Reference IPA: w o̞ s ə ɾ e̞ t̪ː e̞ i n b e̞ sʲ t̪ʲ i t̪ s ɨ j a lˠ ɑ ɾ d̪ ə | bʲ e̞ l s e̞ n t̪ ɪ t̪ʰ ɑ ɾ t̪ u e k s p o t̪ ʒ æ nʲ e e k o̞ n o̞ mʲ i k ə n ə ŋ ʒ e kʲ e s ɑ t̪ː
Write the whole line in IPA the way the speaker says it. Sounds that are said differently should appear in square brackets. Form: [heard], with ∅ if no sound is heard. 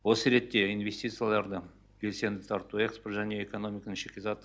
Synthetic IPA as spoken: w o̞ s ə ɾ e̞ t̪ː e̞ i n [v] e̞ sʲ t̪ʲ i t̪ s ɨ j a lˠ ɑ ɾ d̪ ə | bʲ e̞ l s e̞ n [d̪] ɪ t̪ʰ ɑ ɾ t̪ u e k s p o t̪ ʒ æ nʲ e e k o̞ n o̞ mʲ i k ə n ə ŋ [ʃ] e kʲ e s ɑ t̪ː